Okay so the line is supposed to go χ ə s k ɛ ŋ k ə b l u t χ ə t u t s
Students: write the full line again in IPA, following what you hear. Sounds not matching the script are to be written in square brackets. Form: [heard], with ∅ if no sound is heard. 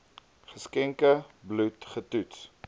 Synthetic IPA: χ ə s k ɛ ŋ k ə b l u t χ ə t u t s